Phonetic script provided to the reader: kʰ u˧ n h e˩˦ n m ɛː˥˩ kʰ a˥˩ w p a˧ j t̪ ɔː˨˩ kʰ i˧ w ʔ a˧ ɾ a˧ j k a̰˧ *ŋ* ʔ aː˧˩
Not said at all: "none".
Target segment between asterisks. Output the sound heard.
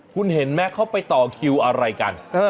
n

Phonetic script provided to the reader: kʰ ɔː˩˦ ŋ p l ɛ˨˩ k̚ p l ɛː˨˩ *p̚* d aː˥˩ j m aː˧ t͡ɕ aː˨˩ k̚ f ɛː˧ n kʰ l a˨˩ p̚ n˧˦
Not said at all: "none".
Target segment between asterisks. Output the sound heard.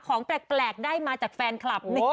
k̚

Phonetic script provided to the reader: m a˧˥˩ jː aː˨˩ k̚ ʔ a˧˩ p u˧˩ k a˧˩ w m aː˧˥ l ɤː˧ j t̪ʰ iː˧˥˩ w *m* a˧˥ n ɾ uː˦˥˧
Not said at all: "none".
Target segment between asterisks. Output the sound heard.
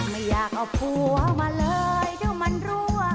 m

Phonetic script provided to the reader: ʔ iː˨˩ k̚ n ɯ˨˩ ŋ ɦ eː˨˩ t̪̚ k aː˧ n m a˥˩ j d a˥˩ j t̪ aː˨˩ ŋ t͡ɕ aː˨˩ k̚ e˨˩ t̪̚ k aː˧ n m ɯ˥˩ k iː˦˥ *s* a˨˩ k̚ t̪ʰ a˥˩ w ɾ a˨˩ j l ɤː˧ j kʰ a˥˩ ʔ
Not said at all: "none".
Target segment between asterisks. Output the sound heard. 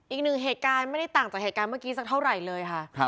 s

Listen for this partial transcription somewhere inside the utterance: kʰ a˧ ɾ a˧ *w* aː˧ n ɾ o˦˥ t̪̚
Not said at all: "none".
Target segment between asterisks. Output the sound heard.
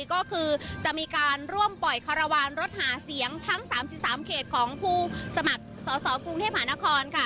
w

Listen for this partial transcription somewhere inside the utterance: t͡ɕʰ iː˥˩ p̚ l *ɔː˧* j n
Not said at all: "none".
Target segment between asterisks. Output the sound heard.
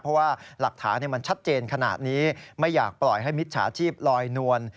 ɔː˧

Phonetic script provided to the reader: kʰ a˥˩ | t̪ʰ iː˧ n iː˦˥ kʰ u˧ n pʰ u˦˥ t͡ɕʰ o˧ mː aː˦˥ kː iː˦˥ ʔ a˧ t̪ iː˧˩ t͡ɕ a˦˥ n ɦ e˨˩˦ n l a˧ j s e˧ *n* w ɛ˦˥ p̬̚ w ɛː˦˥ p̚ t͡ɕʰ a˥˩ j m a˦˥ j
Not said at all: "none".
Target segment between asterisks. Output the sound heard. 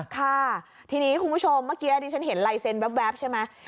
n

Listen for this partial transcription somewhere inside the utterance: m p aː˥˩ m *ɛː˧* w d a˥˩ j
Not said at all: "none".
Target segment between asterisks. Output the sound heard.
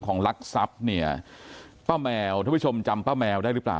ɛː˧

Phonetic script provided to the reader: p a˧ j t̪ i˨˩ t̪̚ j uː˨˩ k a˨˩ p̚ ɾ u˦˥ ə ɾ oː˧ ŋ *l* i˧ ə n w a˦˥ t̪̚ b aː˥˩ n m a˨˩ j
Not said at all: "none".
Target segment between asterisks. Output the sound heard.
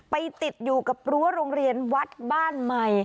ɾ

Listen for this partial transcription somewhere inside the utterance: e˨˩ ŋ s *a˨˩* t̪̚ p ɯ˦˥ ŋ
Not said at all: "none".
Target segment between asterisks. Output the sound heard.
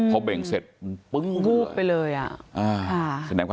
e˨˩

